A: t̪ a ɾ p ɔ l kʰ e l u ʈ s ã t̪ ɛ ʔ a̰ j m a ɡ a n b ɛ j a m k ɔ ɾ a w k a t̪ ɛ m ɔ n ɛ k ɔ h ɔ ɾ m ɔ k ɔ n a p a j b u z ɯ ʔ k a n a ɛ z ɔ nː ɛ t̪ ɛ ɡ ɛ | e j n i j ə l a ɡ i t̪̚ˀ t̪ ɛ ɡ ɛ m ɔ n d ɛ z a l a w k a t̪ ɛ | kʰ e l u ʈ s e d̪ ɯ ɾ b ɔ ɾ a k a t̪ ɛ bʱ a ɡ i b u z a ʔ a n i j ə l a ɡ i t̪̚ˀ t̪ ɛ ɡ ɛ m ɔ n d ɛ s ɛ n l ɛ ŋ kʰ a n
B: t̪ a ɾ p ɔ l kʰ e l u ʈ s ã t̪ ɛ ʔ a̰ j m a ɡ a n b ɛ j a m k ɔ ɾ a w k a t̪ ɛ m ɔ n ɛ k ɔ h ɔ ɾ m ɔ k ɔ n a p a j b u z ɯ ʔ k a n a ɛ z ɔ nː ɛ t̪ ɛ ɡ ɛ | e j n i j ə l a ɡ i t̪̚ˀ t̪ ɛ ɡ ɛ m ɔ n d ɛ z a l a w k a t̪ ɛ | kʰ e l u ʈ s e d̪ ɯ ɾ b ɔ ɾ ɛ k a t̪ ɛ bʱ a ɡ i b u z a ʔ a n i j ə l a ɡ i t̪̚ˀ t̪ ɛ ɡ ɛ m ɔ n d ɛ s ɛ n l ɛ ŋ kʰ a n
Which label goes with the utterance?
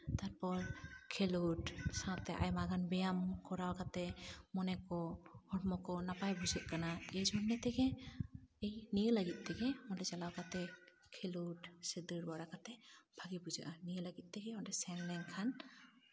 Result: A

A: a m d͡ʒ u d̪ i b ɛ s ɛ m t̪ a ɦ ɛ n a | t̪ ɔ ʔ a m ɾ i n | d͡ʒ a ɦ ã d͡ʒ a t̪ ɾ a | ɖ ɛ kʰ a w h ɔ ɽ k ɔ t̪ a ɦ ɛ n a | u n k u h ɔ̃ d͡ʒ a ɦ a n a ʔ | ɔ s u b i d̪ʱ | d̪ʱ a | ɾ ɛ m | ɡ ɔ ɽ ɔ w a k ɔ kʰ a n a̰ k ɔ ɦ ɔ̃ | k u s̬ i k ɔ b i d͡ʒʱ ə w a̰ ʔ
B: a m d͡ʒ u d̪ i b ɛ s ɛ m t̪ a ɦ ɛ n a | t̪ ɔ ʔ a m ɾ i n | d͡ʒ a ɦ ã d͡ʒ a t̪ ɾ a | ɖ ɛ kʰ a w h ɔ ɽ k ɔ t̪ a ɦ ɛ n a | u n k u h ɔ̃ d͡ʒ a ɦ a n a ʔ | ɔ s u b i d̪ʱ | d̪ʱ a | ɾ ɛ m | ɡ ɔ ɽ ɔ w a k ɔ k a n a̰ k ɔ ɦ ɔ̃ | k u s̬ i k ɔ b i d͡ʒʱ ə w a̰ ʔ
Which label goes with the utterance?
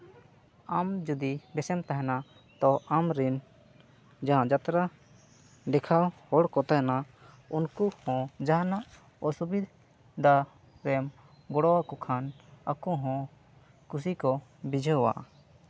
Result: A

